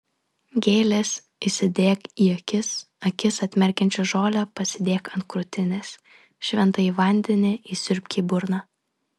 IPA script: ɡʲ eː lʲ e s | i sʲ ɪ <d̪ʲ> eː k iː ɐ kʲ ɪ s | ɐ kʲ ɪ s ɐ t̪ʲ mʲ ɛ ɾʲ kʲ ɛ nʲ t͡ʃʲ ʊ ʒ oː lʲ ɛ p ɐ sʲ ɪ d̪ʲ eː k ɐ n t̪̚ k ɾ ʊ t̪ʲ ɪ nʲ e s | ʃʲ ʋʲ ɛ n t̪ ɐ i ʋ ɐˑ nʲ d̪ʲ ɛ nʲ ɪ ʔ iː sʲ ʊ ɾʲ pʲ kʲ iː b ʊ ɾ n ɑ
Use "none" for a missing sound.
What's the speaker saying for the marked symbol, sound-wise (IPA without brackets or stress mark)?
d̪ʲ